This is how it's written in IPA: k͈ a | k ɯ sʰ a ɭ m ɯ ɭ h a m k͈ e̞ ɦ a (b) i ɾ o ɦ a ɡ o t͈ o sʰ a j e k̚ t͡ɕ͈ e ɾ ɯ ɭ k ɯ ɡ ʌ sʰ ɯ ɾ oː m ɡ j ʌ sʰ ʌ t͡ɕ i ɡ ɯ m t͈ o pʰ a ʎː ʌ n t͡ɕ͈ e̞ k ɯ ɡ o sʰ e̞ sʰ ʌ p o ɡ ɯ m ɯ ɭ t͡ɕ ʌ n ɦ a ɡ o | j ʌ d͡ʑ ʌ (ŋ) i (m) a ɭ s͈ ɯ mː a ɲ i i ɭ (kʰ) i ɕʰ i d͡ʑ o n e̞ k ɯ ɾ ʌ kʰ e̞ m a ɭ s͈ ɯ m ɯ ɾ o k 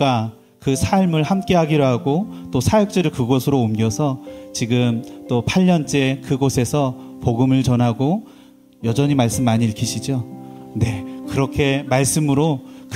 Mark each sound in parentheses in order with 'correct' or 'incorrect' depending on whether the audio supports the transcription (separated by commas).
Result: incorrect, incorrect, correct, correct